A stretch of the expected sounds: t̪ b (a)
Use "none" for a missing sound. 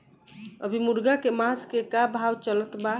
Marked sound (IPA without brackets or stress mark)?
a